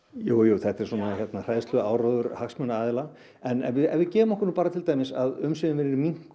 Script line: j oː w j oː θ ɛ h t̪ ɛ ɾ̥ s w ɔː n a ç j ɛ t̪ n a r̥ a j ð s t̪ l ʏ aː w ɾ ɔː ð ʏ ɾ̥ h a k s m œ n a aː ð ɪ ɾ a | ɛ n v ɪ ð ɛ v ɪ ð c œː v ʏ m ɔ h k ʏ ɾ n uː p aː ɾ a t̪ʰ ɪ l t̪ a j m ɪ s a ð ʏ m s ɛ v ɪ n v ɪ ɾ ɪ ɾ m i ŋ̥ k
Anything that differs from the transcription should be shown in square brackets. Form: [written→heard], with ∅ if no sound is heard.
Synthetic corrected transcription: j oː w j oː θ ɛ h t̪ ɛ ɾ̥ s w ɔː n a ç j ɛ t̪ n a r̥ a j ð s t̪ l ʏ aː w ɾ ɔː ð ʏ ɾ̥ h a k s m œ n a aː ð ɪ [ɾ→l] a | ɛ n v ɪ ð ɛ v ɪ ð c [œː→ɛː] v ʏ m ɔ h k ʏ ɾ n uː p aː ɾ a t̪ʰ ɪ l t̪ a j m ɪ s a ð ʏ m s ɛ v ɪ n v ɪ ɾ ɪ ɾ m i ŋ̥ k

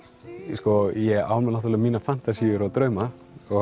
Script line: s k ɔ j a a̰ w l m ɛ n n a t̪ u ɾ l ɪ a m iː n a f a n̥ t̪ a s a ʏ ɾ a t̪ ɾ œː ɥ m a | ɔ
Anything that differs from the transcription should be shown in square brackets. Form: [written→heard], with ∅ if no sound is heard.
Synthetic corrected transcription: s k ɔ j [a→ɛ] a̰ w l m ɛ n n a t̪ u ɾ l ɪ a m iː n a f a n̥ t̪ a s [a→i] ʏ ɾ a t̪ ɾ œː ɥ m a | ɔ

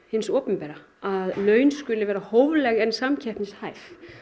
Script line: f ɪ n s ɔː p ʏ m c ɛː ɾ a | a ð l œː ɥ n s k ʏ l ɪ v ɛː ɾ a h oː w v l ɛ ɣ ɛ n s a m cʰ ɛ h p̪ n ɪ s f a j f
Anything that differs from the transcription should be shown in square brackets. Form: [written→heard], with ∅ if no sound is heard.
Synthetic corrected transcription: [f→h] ɪ n s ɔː p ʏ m [c→p] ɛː ɾ a | a ð l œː ɥ n s k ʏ l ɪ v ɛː ɾ a h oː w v l ɛ ɣ ɛ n s a m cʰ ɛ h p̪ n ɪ s [f→h] a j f

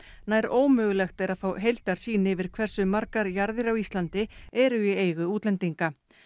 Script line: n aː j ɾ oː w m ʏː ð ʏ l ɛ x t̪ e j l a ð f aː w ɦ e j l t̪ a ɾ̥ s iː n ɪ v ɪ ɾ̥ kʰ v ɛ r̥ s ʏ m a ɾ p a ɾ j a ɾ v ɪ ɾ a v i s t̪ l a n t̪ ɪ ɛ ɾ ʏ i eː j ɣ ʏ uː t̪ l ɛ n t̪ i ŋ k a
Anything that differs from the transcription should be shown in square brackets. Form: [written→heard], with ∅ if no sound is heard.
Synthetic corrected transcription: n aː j ɾ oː w m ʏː [ð→ɣ] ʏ l ɛ x t̪ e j [l→ɾ] a ð f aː w ɦ e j l t̪ a ɾ̥ s iː n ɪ v ɪ ɾ̥ kʰ v ɛ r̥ s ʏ m a ɾ [p→k] a ɾ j a ɾ [v→ð] ɪ ɾ a [v→w] i s t̪ l a n t̪ ɪ ɛ ɾ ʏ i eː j ɣ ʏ uː t̪ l ɛ n t̪ i ŋ k a

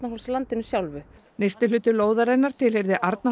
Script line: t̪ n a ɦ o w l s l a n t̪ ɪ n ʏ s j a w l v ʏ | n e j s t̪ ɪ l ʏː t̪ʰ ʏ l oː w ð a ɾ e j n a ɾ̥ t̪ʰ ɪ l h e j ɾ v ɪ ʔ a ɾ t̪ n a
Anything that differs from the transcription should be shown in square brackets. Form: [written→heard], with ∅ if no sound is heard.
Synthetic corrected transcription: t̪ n a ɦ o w l s l a n t̪ ɪ n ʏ s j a w l v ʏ | n e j s t̪ ɪ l ʏː [t̪ʰ→t̪] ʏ l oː w ð a ɾ e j n a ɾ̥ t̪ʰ ɪ l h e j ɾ [v→ð] ɪ ʔ a ɾ t̪ n a

